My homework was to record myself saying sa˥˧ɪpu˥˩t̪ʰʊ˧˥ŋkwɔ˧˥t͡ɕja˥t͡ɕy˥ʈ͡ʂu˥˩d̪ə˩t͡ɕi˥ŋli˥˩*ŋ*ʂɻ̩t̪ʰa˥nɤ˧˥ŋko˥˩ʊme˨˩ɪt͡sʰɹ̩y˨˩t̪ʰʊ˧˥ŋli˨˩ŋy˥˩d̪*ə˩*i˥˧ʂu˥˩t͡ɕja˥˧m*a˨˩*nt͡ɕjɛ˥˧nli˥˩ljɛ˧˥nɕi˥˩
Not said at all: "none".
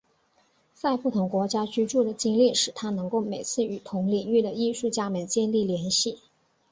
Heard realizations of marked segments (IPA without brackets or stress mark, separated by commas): none, ə˩, ə˨˩